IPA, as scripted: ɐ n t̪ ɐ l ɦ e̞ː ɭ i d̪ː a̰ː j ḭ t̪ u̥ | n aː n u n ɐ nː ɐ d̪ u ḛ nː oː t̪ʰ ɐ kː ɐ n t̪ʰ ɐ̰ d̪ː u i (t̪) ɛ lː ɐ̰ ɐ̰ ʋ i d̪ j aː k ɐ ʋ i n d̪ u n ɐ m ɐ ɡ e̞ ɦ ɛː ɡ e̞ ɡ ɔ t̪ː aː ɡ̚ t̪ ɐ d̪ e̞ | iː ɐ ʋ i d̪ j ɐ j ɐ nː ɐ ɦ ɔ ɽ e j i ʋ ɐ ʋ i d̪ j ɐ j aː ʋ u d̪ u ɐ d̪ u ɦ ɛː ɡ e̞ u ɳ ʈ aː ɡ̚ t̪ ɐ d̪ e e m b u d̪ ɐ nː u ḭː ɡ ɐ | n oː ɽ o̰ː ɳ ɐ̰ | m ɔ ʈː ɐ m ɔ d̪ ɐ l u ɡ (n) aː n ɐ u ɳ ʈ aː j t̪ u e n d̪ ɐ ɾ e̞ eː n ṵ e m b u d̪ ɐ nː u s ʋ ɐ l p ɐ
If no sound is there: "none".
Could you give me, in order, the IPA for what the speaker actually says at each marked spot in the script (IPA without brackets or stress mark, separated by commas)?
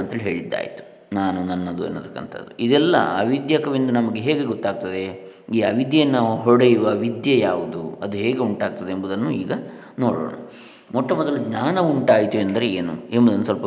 d̪, ɲ